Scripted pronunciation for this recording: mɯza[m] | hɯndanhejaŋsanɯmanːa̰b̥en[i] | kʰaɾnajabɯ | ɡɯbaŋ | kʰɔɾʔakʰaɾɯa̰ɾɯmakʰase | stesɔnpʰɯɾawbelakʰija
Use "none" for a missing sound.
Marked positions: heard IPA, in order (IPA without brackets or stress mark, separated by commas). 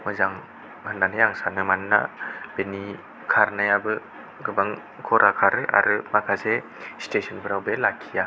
ŋ, i